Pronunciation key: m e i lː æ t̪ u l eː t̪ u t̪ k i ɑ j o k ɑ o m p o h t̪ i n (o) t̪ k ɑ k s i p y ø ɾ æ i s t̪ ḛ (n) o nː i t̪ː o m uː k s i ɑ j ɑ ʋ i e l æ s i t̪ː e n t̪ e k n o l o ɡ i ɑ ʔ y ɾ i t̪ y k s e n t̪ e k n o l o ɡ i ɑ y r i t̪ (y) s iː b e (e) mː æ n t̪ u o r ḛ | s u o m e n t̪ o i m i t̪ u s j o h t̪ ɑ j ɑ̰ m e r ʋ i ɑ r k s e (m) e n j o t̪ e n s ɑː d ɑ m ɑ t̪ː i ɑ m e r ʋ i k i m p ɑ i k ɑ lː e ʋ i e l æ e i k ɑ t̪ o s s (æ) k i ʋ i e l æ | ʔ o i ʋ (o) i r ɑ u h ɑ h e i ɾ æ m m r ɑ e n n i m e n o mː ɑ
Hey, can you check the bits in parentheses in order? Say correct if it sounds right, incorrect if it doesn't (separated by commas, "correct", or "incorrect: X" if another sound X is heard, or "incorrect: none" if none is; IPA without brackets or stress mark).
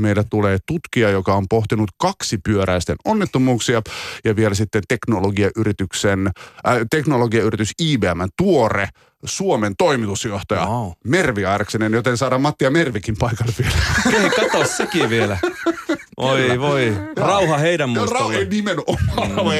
incorrect: u, correct, correct, incorrect: æ, incorrect: n, incorrect: e, correct